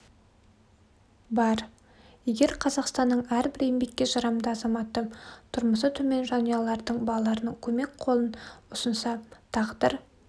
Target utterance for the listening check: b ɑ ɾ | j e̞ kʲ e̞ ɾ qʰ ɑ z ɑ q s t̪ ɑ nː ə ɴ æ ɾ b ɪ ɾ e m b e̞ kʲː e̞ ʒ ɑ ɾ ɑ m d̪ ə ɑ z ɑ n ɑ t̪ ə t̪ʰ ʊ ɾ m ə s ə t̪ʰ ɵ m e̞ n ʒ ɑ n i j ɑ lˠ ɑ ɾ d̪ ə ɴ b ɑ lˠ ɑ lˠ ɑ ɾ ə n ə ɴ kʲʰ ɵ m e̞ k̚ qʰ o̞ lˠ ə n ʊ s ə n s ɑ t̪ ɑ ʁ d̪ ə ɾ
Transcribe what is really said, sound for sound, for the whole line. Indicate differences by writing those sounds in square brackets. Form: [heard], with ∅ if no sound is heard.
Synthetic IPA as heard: b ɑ ɾ | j e̞ [ɡʲ] e̞ ɾ qʰ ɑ z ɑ q s t̪ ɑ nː ə ɴ æ ɾ b ɪ ɾ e m b e̞ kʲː e̞ ʒ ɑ ɾ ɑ m d̪ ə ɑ z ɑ [m] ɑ t̪ ə t̪ʰ ʊ ɾ m ə s ə t̪ʰ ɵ m e̞ n ʒ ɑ n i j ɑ lˠ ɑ ɾ d̪ ə ɴ b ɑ lˠ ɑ lˠ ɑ ɾ ə n ə ɴ kʲʰ ɵ m e̞ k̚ qʰ o̞ lˠ ə n ʊ s ə n s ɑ [t̪ʰ] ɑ ʁ d̪ ə ɾ